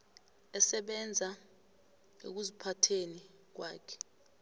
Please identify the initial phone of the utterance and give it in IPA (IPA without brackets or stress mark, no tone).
ɛ